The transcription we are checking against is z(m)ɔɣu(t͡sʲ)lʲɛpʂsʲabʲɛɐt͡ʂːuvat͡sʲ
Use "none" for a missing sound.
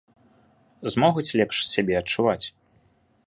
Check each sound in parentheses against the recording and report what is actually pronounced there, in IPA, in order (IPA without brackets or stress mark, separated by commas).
m, t͡sʲ